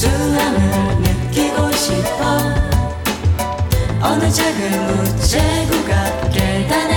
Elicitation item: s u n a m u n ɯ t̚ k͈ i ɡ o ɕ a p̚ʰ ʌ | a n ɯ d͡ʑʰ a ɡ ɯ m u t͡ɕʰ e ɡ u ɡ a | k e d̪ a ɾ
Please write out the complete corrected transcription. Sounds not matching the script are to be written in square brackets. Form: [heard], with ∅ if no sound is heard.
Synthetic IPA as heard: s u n a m [ɯ] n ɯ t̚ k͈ i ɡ o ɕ [i] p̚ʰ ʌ | [ʌ] n ɯ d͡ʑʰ a ɡ ɯ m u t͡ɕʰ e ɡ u ɡ a | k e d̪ a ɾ